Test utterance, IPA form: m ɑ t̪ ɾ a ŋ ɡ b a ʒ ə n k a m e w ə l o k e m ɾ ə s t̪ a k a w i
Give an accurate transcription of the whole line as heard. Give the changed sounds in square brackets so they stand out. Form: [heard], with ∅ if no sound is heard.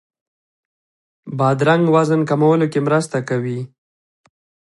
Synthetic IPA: [b] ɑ [d̪] ɾ a ŋ ɡ [w] a [z] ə n k a m [a] w ə l o k e m ɾ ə s t̪ a k a w i